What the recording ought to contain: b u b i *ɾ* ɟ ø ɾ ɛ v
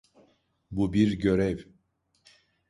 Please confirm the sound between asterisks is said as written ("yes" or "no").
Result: yes